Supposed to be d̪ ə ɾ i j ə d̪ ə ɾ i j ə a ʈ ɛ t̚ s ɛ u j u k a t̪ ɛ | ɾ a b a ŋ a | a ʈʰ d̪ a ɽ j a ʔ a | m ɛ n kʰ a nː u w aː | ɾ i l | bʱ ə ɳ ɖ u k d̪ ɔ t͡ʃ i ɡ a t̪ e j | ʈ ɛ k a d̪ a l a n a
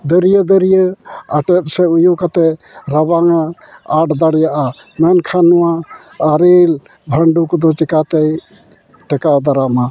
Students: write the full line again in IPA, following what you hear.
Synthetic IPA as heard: d̪ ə ɾ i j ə d̪ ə ɾ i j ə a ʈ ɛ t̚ s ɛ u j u k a t̪ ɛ | ɾ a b a ŋ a | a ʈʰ d̪ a ɽ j a ʔ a | m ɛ n kʰ a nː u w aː | ɾ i l | bʱ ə ɳ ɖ u k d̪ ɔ t͡ʃ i k a t̪ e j | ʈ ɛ k a d̪ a ɾ a m a